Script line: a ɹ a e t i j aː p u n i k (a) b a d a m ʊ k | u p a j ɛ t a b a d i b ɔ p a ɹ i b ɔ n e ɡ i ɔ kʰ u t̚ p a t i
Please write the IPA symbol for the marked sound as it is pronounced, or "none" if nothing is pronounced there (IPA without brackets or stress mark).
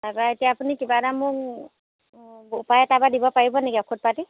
i